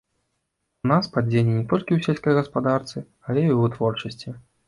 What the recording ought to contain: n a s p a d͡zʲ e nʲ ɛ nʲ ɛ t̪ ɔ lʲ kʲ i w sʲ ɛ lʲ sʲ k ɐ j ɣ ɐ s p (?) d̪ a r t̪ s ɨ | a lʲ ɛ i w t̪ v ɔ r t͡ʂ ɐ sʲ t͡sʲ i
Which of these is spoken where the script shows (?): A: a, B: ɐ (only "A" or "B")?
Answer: A